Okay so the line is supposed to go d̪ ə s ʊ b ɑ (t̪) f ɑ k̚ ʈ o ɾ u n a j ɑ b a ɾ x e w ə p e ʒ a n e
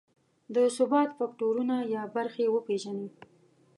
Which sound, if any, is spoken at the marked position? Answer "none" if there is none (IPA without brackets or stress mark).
t̪